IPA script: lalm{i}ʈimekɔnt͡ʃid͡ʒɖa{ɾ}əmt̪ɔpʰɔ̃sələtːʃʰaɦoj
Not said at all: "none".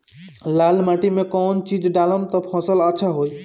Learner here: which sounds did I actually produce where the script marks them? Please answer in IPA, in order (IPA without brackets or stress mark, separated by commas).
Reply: a, l